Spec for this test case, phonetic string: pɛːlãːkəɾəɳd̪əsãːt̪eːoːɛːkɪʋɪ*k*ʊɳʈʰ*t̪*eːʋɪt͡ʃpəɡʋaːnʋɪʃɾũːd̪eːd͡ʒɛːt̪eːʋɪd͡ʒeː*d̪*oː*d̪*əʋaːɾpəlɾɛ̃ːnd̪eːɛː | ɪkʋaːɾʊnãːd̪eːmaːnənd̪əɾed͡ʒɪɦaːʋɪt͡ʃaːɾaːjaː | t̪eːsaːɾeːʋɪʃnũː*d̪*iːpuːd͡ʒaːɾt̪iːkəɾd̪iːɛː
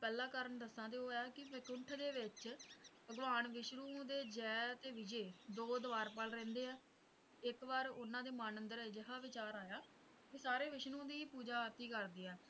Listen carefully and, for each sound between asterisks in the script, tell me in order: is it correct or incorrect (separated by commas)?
correct, incorrect, correct, correct, correct